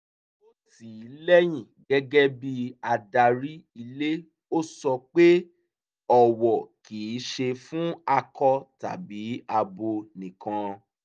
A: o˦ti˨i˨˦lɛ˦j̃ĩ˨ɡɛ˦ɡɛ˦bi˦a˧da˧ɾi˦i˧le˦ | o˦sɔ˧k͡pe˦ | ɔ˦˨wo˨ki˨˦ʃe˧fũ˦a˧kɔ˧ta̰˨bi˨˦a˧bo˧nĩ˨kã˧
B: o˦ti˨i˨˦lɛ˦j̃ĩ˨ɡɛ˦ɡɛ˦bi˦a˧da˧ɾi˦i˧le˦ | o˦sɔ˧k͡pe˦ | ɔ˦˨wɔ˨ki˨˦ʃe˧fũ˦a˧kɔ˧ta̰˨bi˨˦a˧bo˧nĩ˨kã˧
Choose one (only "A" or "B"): B